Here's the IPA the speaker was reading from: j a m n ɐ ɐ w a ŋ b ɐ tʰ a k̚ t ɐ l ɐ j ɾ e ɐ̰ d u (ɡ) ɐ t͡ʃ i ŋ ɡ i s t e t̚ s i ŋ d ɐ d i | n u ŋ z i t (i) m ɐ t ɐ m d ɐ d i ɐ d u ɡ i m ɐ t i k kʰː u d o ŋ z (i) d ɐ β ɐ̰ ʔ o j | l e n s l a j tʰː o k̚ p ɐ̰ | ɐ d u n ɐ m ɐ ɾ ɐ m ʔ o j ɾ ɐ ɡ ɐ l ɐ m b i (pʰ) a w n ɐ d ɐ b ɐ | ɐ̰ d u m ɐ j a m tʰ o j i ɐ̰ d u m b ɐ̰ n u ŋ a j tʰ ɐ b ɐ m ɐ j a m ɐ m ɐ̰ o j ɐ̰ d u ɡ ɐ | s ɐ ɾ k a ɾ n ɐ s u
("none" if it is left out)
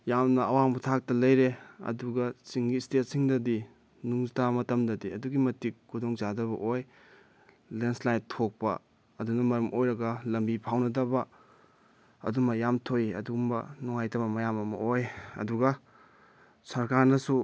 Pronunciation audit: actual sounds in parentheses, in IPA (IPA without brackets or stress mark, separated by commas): ɡ, a, a, pʰ